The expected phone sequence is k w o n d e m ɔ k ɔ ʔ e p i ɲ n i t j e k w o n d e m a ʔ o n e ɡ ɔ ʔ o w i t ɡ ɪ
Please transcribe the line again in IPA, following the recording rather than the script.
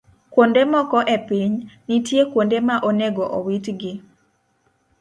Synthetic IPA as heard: k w o n d e m ɔ k ɔ ʔ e p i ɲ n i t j e k w o n d e m a ʔ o n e ɡ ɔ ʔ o w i t ɡ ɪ

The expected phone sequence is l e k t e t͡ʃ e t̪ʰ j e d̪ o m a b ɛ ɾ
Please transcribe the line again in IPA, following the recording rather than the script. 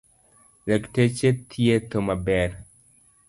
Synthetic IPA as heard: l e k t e t͡ʃ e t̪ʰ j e t̪ o m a b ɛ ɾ

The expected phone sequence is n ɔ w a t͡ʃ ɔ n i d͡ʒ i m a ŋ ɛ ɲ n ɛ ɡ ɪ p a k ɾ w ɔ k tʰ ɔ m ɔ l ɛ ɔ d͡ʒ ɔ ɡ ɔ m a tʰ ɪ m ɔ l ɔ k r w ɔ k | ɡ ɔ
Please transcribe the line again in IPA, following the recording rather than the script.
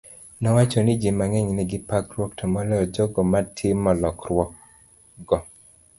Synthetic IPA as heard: n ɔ w a t͡ʃ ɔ n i d͡ʒ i m a ŋ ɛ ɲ n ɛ ɡ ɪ p a k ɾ w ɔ k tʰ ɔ m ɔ l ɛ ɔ d͡ʒ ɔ ɡ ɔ m a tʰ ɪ m ɔ l ɔ k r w ɔ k | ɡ ɔ

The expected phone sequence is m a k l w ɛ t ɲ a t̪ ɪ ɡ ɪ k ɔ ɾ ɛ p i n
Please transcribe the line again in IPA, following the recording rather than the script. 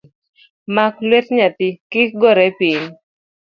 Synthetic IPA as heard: m a k l w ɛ t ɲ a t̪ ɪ k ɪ ɡ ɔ ɾ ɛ p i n

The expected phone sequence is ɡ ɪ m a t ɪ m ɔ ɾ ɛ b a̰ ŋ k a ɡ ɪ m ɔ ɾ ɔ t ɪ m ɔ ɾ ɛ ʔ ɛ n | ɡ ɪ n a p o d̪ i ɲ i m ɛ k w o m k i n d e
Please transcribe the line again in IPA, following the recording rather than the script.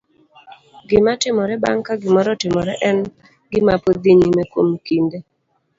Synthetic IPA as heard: ɡ ɪ m a t ɪ m ɔ ɾ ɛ b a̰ ŋ k a ɡ ɪ m ɔ ɾ ɔ t ɪ m ɔ ɾ ɛ ʔ ɛ n | ɡ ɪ m a p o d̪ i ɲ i m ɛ k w o m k i n d e

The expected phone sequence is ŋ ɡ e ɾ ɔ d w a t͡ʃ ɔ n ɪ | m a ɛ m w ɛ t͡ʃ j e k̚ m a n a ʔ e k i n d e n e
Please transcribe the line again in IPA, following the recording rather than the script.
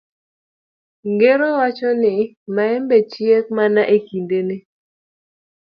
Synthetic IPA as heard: ŋ ɡ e ɾ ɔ w a t͡ʃ ɔ n ɪ | m a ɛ m b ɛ t͡ʃ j e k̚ m a n a ʔ e k i n d e n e

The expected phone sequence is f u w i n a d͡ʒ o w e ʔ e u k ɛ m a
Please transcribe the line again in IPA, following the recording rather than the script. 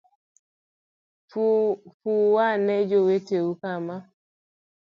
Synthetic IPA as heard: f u w a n ɛ d͡ʒ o w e t e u k a m a

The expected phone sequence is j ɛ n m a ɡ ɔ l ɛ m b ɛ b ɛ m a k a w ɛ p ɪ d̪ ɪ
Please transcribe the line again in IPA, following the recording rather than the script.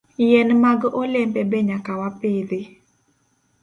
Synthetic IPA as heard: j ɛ n m a ɡ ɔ l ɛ m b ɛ b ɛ ɲ a k a w a p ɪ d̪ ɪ

